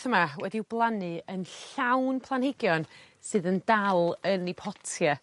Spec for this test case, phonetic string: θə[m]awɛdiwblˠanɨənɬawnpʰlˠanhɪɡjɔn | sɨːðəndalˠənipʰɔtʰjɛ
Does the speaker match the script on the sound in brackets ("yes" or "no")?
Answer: yes